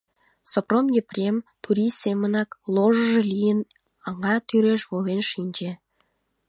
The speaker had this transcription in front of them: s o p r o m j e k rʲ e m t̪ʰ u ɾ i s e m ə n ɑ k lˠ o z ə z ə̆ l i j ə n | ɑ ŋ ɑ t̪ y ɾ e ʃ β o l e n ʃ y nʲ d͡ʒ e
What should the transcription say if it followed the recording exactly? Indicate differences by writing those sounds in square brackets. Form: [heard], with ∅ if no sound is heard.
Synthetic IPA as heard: s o p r o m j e [p] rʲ e m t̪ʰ u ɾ i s e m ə n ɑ k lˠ o [ʒ] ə [ʒ] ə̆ l i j ə n | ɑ ŋ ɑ t̪ y ɾ e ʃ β o l e n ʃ [i] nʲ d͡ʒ e